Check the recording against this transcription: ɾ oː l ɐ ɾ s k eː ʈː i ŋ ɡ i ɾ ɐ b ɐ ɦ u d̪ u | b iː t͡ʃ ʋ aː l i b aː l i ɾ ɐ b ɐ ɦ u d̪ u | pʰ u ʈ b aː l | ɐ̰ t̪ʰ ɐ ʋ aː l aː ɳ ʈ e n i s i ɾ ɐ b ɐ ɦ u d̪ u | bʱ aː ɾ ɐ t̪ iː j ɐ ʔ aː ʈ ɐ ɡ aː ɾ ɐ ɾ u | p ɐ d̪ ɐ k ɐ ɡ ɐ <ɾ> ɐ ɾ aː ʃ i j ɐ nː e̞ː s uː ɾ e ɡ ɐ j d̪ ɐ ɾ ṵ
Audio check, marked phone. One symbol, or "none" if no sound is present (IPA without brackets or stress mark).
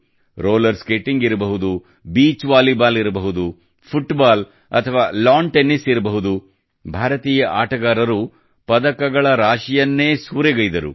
ɭ